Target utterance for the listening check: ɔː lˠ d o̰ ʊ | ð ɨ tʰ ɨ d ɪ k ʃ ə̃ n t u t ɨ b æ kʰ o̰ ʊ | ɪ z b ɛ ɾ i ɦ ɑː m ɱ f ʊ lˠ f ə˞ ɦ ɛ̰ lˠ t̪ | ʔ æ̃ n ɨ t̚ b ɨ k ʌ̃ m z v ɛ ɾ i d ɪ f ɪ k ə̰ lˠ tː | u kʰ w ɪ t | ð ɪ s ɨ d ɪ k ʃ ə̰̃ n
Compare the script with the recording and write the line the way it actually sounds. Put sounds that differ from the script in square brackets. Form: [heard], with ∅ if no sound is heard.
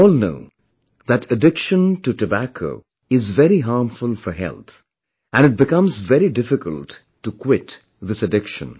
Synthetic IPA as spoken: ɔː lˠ [n] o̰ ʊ | ð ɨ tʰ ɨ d ɪ k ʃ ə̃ n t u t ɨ b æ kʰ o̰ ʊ | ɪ z [v] ɛ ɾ i ɦ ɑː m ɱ f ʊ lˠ f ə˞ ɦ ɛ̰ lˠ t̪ | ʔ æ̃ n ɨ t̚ b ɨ k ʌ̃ m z v ɛ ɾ i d ɪ f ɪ k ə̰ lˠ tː | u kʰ w ɪ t | ð ɪ s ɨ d ɪ k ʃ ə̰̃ n

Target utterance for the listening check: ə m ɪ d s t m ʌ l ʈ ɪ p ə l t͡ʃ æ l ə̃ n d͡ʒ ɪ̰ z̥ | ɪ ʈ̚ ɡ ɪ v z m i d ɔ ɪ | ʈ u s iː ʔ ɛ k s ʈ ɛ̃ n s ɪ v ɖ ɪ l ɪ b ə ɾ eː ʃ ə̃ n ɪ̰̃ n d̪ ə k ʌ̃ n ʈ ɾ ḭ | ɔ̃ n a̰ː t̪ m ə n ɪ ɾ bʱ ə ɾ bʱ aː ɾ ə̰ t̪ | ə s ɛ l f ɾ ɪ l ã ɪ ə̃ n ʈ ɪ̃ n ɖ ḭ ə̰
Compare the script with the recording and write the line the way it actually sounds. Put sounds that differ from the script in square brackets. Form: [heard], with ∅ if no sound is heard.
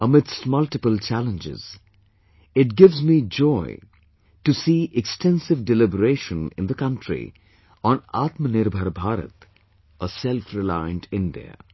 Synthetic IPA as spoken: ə m ɪ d s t m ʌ l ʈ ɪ p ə l t͡ʃ æ l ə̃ n d͡ʒ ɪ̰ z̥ | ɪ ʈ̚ ɡ ɪ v z m i [d͡ʒ] ɔ ɪ | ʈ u s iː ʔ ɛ k s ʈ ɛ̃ n s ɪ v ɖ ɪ l ɪ b ə ɾ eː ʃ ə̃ n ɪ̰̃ n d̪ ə k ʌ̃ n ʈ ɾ ḭ | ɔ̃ n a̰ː t̪ m ə n ɪ ɾ bʱ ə ɾ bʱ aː ɾ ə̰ t̪ | ə s ɛ l f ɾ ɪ l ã ɪ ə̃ n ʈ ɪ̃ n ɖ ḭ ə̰

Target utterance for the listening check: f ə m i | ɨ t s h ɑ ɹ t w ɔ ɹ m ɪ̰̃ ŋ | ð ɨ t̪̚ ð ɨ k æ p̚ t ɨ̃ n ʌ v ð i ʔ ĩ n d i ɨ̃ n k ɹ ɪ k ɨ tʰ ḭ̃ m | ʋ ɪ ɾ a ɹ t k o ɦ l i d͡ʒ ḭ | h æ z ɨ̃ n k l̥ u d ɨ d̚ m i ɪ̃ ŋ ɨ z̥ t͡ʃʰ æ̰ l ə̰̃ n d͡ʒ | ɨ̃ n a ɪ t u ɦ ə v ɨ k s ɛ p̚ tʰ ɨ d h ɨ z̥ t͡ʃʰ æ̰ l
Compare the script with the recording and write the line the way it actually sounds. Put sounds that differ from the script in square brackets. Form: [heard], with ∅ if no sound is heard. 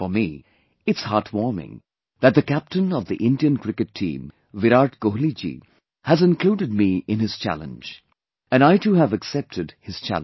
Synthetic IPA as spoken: f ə m i | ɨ t s h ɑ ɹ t w ɔ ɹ m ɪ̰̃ ŋ | ð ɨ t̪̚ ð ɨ k æ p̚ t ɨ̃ n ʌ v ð i ʔ [ɪ̃] n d i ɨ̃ n k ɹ ɪ k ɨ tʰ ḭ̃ m | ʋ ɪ ɾ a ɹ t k o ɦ l i d͡ʒ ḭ | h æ z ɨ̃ n k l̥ u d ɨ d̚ m i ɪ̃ [n] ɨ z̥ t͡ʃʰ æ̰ l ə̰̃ n d͡ʒ | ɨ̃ n a ɪ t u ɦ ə v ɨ k s ɛ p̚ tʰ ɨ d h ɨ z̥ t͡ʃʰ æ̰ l

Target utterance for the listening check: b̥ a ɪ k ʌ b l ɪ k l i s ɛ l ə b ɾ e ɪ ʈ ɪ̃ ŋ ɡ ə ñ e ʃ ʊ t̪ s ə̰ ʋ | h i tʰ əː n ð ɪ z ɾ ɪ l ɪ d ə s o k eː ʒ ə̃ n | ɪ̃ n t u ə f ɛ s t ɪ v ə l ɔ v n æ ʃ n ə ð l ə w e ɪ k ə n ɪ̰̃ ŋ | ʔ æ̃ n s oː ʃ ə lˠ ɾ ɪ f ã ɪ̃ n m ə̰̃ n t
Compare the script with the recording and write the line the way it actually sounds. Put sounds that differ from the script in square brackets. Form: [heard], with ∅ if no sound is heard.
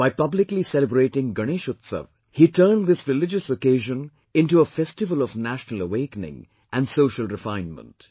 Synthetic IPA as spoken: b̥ a ɪ [p] ʌ b l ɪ k l i s ɛ l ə b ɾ e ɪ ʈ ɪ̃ ŋ ɡ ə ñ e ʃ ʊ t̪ s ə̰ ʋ | h i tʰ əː n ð ɪ [s] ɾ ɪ l ɪ [d͡ʒ] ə s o k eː ʒ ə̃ n | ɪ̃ n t u ə f ɛ s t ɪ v ə l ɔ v n æ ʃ n ə [∅] l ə w e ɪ k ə n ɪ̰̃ ŋ | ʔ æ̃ n s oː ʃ ə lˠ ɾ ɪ f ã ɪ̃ n m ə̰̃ n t

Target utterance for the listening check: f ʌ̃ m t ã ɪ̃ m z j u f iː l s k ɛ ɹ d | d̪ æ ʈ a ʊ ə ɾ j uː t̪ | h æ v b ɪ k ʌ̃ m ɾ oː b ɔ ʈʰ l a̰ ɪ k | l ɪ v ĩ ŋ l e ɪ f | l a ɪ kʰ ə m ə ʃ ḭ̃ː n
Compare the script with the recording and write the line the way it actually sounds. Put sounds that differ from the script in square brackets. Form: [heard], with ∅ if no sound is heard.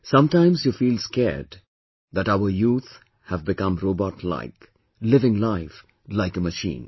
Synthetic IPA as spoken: [s] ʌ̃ m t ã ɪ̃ m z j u f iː l s k ɛ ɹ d | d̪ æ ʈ a ʊ ə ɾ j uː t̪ | h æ v b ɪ k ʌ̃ m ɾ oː b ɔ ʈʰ l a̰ ɪ k | l ɪ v [ɪ̃] ŋ l [a] ɪ f | l a ɪ [k] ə m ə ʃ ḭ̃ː n

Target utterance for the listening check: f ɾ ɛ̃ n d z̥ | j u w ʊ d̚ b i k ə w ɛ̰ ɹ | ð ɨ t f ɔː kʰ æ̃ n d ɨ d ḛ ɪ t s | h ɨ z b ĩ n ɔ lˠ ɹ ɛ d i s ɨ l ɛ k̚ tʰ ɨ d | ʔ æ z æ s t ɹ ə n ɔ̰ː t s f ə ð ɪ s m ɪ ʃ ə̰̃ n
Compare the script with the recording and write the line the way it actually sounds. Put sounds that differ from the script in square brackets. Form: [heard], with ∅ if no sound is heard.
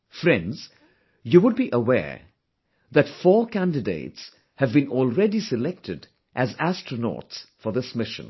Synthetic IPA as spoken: f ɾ ɛ̃ n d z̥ | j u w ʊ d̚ b i [ʔ] ə w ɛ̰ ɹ | ð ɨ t f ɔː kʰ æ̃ n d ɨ d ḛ ɪ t s | h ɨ [v] b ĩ n ɔ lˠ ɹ ɛ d i s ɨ l ɛ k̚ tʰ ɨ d | ʔ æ z æ s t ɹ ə n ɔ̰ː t s f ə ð ɪ s m ɪ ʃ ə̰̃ n

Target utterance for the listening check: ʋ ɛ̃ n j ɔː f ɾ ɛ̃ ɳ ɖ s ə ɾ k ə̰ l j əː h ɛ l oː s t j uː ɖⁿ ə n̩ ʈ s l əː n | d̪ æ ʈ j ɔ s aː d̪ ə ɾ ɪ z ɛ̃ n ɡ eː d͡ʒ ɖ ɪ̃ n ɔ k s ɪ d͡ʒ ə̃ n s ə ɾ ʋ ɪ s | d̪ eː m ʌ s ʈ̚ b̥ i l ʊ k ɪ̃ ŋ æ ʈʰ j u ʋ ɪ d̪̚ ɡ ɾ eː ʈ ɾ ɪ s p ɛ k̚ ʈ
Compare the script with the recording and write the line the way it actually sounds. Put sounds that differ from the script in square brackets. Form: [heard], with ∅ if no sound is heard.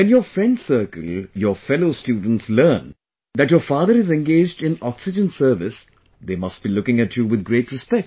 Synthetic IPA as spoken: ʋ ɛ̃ n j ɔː f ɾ ɛ̃ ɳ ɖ s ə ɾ k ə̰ l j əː [f] ɛ l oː s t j uː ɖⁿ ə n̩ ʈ s l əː n | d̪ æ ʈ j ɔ [f] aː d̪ ə ɾ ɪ z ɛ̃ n ɡ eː d͡ʒ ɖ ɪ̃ n ɔ k s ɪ d͡ʒ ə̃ n s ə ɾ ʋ ɪ s | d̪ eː m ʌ s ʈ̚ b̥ i l ʊ k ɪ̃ ŋ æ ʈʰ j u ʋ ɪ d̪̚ ɡ ɾ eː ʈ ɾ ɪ s p ɛ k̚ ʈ

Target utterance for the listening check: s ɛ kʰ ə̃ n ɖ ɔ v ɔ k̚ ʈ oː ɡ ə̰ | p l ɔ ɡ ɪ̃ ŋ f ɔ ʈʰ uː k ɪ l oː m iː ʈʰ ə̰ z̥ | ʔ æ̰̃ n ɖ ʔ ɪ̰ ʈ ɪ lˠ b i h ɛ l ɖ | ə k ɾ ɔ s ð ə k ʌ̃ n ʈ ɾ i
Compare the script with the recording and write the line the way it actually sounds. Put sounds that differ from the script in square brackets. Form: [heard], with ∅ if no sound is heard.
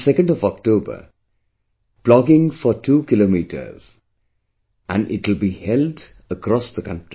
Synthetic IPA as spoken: s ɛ [k] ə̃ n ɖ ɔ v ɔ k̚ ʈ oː [b] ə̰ | p l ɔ ɡ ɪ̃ ŋ f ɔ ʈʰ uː k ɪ l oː m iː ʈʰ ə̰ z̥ | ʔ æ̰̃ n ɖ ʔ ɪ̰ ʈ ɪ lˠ b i h ɛ l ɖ | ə k ɾ ɔ s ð ə k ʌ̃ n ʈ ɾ i

